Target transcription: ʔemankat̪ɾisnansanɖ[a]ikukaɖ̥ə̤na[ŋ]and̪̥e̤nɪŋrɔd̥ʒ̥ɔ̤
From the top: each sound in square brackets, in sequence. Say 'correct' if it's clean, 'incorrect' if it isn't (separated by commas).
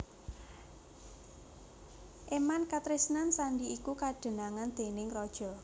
incorrect, correct